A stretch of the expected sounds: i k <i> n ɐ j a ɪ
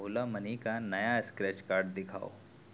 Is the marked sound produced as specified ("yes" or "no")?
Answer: no